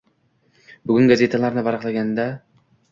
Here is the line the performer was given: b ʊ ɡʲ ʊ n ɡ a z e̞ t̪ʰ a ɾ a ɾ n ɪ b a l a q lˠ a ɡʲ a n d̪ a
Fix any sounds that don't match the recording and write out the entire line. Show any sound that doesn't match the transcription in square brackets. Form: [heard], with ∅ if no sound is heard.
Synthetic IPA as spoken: b ʊ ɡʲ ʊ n ɡ a z e̞ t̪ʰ a [l] a ɾ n ɪ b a [ɾ] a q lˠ a ɡʲ a n d̪ a